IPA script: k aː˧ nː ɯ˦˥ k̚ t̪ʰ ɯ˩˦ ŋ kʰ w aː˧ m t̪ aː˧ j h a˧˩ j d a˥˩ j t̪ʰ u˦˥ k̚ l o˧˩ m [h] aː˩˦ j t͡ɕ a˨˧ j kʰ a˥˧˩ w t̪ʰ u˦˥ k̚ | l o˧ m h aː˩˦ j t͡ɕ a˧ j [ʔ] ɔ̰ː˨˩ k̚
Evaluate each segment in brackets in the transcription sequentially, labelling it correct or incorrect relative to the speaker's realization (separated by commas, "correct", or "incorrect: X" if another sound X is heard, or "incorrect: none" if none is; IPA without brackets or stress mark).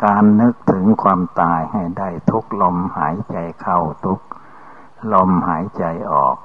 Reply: correct, correct